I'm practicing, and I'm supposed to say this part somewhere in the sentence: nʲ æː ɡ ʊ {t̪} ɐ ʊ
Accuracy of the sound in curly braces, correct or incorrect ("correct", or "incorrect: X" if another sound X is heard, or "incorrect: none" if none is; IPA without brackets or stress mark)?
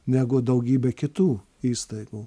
incorrect: d̪